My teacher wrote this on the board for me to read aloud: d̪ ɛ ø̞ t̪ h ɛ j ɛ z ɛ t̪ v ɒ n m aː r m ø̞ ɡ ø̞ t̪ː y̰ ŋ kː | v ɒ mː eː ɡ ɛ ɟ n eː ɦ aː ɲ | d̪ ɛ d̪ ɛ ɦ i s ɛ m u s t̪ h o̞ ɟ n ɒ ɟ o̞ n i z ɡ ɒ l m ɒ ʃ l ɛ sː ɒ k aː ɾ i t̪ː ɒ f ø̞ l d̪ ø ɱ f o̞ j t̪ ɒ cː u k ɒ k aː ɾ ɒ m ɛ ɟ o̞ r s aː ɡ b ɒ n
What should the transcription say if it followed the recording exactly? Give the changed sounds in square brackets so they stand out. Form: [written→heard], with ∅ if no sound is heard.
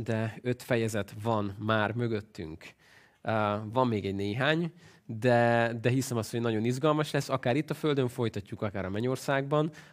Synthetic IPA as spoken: d̪ ɛ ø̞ t̪ [h→f] ɛ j ɛ z ɛ t̪ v ɒ n m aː r m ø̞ ɡ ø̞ t̪ː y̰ ŋ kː | v ɒ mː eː ɡ ɛ ɟ n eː ɦ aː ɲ | d̪ ɛ d̪ ɛ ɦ i s ɛ m [u→ɒ] s t̪ h o̞ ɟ n ɒ ɟ o̞ n i z ɡ ɒ l m ɒ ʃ l ɛ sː ɒ k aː ɾ i t̪ː ɒ f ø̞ l d̪ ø ɱ f o̞ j t̪ ɒ cː u k ɒ k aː ɾ ɒ m ɛ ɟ o̞ r s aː ɡ b ɒ n